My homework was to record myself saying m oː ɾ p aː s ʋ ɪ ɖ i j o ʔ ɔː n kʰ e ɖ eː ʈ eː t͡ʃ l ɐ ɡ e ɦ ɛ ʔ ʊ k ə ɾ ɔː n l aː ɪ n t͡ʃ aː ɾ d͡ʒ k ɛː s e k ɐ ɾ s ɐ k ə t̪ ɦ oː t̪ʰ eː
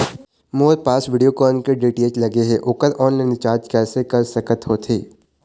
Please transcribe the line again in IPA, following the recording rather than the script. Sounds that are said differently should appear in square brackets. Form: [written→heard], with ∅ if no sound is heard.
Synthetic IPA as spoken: m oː ɾ p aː s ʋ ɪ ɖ i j o [ʔ→k] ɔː n [kʰ→k] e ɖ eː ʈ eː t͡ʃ l ɐ ɡ e ɦ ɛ ʔ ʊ k ə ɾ ɔː n l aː ɪ n t͡ʃ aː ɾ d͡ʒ k ɛː s e k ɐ ɾ s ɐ k ə t̪ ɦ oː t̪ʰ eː